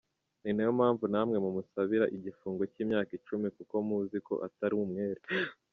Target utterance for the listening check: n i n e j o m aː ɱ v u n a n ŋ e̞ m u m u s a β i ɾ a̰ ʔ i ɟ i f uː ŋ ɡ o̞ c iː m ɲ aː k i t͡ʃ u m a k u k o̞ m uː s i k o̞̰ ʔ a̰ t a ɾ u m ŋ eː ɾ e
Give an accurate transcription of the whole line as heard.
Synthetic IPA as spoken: n i n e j o m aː ɱ v u n a m ŋ e̞ m u m u s a β i ɾ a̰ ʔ i ɟ i f uː ŋ ɡ o̞ c iː m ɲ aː k i t͡ʃ u m i k u k o̞ m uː z i k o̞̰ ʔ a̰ t a ɾ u m ŋ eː ɾ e